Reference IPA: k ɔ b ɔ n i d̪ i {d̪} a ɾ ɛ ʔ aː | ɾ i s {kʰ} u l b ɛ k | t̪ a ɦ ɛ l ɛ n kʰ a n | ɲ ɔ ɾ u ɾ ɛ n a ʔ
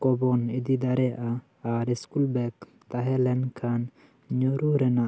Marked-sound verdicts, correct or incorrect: correct, incorrect

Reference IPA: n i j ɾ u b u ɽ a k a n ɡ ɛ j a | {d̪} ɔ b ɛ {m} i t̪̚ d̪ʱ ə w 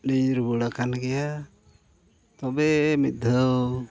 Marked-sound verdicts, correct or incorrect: incorrect, correct

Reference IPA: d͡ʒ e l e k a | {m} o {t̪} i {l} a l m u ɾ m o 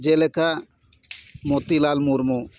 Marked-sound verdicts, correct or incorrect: correct, correct, correct

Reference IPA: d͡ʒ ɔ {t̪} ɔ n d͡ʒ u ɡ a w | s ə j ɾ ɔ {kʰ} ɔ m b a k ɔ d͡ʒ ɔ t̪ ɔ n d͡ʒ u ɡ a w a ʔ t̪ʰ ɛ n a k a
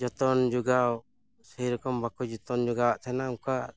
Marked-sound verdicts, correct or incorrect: correct, incorrect

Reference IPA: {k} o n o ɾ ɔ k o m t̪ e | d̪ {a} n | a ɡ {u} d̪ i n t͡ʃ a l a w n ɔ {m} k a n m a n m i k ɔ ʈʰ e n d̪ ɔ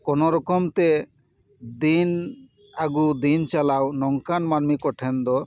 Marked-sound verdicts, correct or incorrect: correct, incorrect, correct, incorrect

